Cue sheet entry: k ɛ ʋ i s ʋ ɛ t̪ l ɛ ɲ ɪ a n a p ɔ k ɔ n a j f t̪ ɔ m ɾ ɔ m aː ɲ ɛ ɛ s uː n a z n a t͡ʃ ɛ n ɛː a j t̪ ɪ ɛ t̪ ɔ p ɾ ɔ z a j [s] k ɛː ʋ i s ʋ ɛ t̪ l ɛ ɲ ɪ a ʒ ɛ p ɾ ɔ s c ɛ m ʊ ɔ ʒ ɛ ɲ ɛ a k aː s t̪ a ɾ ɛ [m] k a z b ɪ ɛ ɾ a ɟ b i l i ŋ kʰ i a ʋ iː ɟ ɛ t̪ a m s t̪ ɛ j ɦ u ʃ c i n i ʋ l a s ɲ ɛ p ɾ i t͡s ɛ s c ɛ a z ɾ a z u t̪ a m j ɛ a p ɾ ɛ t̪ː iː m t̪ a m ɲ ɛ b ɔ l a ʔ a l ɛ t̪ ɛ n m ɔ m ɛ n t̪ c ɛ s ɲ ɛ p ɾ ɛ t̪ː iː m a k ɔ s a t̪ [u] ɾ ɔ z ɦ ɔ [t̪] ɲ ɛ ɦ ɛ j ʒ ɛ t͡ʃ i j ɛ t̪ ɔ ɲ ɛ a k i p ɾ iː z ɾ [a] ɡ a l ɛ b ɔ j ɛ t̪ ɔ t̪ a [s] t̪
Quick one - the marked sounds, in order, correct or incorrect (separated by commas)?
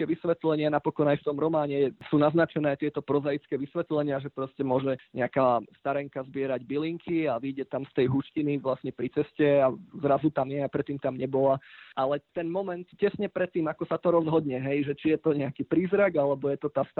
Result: incorrect, incorrect, incorrect, incorrect, correct, correct